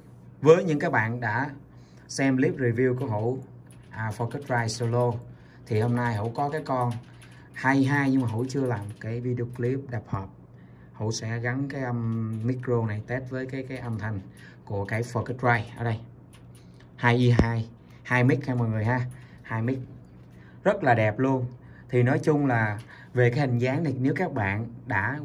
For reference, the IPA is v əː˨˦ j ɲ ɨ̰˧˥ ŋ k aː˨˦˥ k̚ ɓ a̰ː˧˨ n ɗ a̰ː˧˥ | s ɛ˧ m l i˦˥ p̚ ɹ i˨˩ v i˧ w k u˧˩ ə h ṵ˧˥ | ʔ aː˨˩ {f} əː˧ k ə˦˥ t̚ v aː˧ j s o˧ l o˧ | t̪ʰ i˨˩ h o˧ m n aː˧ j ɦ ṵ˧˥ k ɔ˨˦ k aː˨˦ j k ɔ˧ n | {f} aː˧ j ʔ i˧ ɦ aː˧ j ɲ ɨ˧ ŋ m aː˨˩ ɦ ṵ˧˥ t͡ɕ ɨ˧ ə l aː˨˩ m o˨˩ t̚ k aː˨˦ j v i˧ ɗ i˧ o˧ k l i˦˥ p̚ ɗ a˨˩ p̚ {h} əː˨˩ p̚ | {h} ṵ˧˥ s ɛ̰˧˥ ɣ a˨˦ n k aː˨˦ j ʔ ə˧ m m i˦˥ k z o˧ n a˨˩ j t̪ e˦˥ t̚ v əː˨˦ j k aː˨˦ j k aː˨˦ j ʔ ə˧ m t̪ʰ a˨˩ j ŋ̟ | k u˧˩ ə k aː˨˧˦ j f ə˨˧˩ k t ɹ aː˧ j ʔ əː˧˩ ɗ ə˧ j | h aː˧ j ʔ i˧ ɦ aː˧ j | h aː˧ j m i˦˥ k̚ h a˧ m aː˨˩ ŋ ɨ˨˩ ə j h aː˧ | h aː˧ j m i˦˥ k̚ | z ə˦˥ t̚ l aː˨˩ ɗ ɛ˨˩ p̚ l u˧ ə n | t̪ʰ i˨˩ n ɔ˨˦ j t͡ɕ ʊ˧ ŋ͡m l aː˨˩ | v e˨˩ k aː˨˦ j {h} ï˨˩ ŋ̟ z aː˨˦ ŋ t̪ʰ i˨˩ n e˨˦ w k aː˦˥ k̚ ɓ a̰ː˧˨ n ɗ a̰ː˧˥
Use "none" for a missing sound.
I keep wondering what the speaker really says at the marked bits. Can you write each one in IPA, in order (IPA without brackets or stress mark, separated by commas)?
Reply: f, h, h, h, h